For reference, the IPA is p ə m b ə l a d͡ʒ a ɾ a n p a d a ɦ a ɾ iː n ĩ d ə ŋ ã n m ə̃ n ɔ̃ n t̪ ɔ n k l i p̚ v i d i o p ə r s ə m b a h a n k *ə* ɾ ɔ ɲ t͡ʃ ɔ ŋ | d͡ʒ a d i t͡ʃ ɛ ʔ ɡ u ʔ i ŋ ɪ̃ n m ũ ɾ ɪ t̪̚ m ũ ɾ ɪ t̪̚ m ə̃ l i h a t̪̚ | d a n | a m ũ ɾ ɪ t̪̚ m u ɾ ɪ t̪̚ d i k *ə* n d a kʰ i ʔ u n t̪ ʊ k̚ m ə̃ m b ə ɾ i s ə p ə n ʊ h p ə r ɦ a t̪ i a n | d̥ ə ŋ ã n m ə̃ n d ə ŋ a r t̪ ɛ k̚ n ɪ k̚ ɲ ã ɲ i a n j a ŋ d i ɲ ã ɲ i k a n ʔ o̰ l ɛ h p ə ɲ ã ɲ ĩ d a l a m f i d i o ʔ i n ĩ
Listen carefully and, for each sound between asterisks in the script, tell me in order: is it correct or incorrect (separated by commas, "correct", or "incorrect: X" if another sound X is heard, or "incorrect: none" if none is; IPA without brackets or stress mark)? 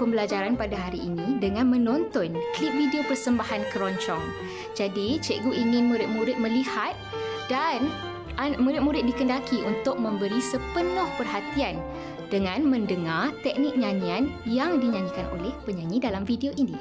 correct, correct